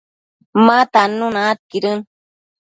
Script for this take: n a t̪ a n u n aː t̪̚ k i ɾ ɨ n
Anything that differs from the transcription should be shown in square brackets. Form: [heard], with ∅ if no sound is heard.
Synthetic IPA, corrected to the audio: [m] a t̪ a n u n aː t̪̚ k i ɾ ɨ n